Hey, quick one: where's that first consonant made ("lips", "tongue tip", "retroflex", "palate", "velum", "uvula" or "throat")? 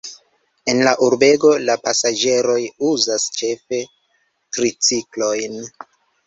tongue tip